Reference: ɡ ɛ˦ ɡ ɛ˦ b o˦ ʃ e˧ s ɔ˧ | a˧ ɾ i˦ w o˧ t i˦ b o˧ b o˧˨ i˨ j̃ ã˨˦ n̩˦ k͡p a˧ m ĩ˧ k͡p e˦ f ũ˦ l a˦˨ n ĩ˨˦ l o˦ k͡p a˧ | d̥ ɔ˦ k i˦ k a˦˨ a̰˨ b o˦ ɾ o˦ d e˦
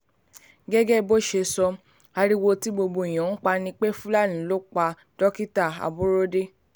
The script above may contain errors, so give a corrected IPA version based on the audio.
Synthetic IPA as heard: ɡ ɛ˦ ɡ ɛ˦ b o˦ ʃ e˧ s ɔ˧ | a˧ ɾ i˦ w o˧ t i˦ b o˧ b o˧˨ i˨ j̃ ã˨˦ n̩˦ k͡p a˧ n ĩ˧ k͡p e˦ f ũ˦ l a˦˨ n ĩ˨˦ l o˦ k͡p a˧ | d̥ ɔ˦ k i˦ t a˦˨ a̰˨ b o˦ ɾ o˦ d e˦

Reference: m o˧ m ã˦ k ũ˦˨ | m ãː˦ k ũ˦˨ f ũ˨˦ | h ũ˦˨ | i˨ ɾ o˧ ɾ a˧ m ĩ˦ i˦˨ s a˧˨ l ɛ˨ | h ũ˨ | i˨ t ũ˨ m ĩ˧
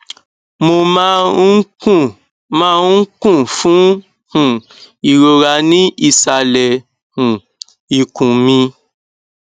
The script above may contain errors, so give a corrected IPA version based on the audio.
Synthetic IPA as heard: m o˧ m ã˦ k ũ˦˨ | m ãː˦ k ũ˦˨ f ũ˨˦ | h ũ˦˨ | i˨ ɾ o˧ ɾ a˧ n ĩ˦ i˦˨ s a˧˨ l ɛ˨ | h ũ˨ | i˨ k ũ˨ m ĩ˧

